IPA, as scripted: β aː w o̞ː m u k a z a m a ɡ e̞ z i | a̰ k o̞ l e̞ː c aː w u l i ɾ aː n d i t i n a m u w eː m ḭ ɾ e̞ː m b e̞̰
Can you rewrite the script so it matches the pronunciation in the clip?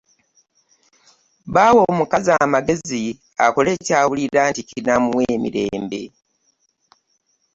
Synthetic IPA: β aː w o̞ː m u k a z a m a ɡ e̞ z i | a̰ k o̞ l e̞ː c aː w u l i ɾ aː n t i c i n a m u w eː m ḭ ɾ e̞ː m b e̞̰